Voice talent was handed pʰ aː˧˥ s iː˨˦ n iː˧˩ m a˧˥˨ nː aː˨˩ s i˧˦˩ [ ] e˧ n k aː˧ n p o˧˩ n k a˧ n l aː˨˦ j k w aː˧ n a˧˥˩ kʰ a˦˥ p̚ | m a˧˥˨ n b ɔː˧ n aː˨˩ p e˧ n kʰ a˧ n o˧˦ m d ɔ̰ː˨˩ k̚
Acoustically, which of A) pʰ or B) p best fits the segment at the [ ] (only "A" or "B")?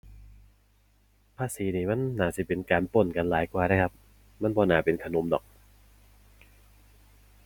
B